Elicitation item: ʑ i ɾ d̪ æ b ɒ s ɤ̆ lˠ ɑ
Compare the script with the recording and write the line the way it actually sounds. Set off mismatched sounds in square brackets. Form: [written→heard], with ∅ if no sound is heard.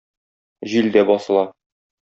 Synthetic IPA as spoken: ʑ i [ɾ→l] d̪ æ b ɒ s ɤ̆ lˠ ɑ